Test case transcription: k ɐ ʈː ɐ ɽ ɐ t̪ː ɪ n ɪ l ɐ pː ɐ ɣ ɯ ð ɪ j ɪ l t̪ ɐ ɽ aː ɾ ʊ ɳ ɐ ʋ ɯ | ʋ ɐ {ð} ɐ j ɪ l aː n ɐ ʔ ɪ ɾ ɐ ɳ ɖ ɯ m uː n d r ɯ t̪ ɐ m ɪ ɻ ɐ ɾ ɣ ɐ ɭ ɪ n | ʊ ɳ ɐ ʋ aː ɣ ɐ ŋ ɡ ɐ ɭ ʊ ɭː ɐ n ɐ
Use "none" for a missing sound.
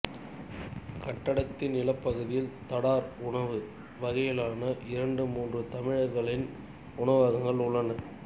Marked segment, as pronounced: ɣ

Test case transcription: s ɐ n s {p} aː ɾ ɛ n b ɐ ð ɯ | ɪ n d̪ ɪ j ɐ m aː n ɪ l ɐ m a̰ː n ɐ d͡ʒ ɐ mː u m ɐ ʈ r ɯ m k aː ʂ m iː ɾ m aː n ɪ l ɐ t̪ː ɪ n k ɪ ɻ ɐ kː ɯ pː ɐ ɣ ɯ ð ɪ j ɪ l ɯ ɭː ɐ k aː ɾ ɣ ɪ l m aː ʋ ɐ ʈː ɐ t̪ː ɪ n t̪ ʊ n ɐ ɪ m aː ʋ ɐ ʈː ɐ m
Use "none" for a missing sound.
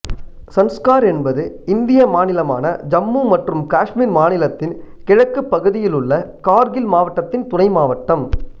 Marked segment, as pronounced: k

